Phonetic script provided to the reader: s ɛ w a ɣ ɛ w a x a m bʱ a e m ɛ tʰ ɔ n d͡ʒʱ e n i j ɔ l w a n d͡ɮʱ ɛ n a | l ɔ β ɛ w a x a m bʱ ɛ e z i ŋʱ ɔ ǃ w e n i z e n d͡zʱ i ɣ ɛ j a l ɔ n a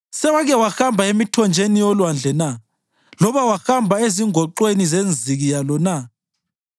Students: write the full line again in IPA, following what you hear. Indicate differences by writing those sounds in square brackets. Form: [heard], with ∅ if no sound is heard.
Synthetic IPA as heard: s ɛ w a ɣ ɛ w a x a m bʱ a e m [i] tʰ ɔ n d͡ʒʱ e n i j ɔ l w a n d͡ɮʱ ɛ n a | l ɔ β [a] w a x a m bʱ [a] e z i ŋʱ ɔ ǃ w e n i z e n d͡zʱ i ɣ [i] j a l ɔ n a